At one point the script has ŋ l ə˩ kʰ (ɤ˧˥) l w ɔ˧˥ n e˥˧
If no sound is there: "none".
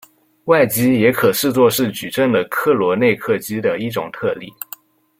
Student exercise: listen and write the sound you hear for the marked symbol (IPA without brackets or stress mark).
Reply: ɤ˥˩